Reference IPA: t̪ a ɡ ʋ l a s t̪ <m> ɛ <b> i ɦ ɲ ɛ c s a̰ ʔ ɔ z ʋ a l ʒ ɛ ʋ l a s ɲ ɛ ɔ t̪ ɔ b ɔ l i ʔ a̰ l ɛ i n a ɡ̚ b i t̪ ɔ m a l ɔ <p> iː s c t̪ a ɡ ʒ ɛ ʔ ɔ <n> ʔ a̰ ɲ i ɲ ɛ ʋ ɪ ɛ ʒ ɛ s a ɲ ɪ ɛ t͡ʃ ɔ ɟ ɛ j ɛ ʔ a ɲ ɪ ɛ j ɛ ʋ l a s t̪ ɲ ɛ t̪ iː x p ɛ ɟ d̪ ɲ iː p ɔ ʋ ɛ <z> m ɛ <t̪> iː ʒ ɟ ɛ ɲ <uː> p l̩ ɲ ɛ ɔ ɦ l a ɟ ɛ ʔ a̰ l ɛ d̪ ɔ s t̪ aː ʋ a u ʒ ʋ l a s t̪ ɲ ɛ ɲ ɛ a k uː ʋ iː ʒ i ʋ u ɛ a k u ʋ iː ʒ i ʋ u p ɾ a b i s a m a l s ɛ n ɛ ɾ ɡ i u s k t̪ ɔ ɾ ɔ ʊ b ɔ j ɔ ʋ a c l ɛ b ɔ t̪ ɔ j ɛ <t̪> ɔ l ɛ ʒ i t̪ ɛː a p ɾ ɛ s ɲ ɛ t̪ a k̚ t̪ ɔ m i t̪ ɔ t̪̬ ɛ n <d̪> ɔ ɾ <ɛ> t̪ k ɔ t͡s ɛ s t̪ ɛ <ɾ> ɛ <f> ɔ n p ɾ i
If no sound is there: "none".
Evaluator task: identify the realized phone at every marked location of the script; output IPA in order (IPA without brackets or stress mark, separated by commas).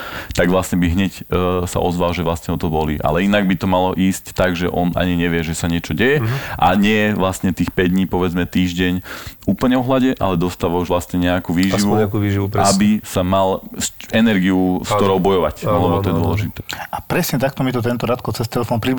ɲ, b, ʔ, n, d͡z, t̪, uː, d̪, t̪, a, l, f